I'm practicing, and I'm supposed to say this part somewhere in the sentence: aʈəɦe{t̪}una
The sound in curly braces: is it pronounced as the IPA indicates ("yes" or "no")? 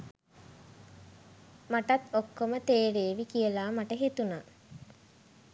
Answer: yes